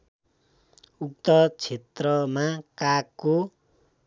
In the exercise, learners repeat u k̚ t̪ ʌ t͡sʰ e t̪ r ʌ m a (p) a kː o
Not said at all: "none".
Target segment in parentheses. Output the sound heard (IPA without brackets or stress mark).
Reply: k